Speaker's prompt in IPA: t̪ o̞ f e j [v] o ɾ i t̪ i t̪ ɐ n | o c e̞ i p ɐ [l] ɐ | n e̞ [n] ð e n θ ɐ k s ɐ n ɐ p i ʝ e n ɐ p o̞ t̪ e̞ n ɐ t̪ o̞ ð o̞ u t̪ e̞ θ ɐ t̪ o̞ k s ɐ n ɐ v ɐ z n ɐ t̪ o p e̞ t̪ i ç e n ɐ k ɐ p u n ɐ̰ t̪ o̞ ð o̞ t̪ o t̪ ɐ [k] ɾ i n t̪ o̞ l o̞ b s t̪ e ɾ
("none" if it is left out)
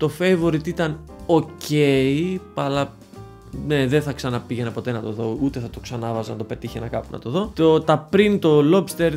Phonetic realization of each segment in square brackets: v, l, none, p

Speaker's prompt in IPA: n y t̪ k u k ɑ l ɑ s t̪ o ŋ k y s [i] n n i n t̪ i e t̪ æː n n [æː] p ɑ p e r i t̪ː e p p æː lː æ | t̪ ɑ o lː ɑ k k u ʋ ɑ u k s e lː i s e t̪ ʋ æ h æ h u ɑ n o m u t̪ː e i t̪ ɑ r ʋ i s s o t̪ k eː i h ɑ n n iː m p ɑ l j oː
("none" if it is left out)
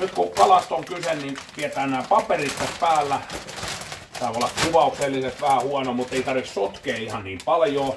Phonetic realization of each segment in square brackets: e, æː

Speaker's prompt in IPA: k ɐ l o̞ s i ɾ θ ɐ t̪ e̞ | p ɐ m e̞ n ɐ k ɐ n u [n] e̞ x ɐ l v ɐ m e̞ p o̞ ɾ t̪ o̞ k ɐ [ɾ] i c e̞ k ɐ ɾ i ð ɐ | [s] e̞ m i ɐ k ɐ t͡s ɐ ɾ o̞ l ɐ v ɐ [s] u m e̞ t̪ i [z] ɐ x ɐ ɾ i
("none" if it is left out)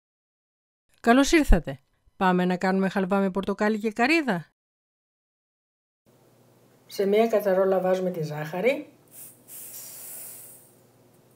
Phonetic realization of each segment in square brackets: m, l, s, z, z

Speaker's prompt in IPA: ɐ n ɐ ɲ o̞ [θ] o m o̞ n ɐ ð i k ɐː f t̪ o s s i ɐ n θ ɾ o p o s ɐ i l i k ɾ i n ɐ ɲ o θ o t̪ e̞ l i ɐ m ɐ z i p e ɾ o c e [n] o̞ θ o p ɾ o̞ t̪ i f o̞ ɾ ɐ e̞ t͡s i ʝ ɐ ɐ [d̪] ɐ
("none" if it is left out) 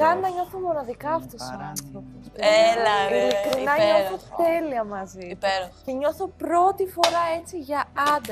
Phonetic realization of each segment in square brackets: θ, ɲ, d̪

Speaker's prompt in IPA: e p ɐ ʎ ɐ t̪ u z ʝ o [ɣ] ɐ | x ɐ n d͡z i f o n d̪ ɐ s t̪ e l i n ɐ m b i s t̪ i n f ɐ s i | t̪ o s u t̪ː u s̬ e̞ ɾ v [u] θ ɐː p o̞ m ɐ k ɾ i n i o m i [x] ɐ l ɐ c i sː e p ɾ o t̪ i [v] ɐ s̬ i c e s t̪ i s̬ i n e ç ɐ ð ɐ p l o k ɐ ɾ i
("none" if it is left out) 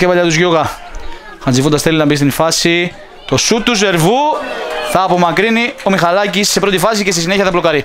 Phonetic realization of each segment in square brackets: ɣ, u, x, f

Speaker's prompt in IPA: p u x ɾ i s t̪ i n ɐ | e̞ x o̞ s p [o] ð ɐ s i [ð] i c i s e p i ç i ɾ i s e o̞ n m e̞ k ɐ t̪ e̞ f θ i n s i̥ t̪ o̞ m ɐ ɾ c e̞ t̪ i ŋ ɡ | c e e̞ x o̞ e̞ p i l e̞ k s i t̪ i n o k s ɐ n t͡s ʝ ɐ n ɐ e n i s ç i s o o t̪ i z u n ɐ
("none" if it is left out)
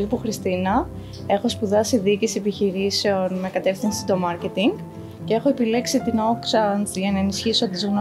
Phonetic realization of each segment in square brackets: u, ð

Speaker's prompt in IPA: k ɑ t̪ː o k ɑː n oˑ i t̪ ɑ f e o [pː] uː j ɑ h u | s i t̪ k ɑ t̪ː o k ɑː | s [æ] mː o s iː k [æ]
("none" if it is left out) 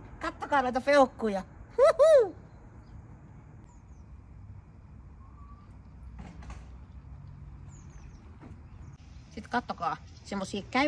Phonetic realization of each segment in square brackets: kː, e, æ

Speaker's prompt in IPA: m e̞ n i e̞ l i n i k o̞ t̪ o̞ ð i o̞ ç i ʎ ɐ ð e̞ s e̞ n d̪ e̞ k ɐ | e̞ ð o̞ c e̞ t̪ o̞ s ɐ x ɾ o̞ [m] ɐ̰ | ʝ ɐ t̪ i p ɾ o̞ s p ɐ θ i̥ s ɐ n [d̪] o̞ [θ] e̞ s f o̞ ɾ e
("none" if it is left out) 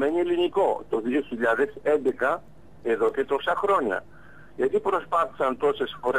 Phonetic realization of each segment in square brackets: ɲ, t̪, s

